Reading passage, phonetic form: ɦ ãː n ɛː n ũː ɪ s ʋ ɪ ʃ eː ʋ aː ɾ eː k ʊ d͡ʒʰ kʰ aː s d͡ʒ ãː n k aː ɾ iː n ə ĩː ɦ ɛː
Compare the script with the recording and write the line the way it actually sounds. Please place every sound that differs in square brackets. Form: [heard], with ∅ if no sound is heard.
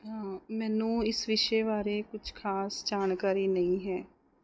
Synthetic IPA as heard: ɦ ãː [m] ɛː n ũː ɪ s ʋ ɪ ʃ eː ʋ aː ɾ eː k ʊ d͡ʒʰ kʰ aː s d͡ʒ [aː] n k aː ɾ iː n ə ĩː ɦ ɛː